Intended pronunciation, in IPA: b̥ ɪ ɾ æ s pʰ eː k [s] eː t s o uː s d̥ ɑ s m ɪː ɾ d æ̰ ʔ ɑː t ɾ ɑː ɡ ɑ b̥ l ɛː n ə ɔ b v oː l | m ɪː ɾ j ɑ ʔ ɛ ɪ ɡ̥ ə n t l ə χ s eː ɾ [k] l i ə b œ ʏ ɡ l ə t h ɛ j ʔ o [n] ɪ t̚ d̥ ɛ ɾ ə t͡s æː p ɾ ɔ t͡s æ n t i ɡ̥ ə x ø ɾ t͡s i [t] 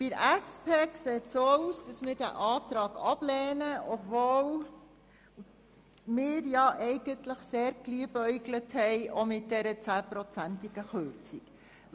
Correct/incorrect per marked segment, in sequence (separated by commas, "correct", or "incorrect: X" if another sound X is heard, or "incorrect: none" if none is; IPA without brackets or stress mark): correct, correct, incorrect: m, incorrect: k